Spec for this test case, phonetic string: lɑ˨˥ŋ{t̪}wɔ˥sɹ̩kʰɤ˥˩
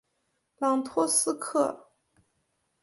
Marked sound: incorrect: t̪ʰ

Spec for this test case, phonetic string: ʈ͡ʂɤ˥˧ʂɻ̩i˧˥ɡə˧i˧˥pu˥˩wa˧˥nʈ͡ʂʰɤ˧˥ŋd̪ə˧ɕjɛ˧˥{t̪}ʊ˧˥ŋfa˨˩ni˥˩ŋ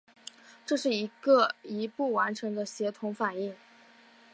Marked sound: incorrect: t̪ʰ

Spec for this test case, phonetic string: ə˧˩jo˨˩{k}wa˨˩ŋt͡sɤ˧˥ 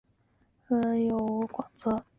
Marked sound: correct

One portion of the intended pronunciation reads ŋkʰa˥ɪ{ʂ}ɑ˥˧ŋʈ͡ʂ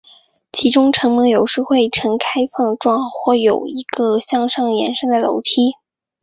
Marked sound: incorrect: f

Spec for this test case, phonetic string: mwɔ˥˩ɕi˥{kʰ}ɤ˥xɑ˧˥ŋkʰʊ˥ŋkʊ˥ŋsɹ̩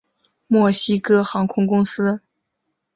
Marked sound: incorrect: k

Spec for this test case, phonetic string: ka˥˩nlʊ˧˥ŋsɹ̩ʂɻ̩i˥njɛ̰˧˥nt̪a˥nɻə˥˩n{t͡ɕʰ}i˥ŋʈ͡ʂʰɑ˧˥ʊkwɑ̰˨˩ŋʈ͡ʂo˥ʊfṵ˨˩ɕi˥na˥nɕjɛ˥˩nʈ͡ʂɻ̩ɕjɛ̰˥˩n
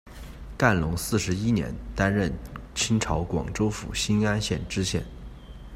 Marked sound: correct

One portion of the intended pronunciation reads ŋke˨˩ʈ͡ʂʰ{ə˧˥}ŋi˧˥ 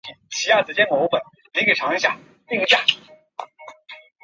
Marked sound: incorrect: ɑ˧˥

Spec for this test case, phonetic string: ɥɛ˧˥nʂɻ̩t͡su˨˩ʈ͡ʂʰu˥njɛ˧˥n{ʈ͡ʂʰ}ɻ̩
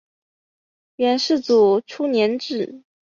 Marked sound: incorrect: ʈ͡ʂ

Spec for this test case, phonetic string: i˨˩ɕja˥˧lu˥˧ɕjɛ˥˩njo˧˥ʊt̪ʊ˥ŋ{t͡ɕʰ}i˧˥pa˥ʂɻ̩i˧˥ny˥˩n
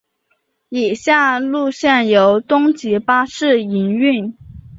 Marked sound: incorrect: t͡ɕ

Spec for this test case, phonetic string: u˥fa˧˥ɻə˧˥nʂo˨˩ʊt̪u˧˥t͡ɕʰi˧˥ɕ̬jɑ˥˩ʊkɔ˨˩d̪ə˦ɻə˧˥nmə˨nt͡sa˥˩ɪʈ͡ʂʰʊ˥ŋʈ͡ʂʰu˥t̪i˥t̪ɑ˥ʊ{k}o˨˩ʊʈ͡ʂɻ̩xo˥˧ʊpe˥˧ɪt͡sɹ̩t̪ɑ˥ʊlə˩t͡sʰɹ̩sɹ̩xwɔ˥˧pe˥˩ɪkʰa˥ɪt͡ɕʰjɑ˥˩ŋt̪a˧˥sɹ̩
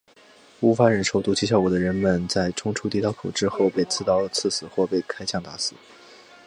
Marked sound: incorrect: kʰ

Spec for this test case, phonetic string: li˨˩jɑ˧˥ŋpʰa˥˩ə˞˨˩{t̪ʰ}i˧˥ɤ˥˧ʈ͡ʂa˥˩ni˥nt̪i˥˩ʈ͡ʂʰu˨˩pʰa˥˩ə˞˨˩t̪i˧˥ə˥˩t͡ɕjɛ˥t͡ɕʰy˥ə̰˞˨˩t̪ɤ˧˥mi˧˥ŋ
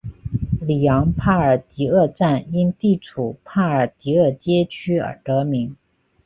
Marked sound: incorrect: t̪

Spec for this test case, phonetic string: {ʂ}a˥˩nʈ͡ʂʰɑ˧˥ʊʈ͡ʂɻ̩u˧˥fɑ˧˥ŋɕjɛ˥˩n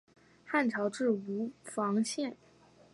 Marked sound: incorrect: x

